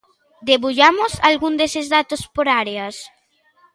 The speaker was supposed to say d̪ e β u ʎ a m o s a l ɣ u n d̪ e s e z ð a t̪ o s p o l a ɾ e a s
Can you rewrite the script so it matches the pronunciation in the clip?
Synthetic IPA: d̪ e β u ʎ a m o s a l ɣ u n d̪ e s e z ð a t̪ o s p o ɾ a ɾ e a s